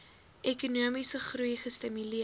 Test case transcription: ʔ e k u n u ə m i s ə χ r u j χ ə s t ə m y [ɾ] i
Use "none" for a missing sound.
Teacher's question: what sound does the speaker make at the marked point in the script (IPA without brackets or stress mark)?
l